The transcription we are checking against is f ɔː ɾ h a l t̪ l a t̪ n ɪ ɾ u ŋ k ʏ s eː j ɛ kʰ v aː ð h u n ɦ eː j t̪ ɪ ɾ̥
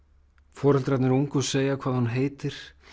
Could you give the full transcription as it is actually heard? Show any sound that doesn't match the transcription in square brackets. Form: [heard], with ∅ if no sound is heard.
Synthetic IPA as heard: f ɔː ɾ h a l t̪ [ɾ] a t̪ n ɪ ɾ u ŋ k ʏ s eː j [a] kʰ v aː ð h u n ɦ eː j t̪ ɪ ɾ̥